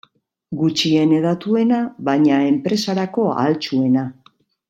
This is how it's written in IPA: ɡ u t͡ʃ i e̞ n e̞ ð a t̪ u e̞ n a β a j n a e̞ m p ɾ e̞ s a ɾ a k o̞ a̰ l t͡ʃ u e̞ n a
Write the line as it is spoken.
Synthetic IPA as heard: ɡ u t͡ʃ i e̞ n e̞ ð a t̪ u e̞ n a β a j ɲ a e̞ m p ɾ e̞ s a ɾ a k o̞ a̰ l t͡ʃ u e̞ n a